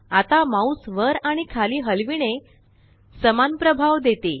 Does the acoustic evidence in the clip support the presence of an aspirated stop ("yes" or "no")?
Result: yes